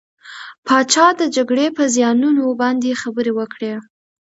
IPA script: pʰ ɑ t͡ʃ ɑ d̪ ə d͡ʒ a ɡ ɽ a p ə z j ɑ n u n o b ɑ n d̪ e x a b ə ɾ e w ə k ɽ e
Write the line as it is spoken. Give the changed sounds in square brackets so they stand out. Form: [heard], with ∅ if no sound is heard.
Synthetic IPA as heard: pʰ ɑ t͡ʃ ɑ d̪ ə d͡ʒ a ɡ ɽ [e] p ə z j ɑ n u n o b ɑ n d̪ e x a b ə ɾ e w ə k ɽ e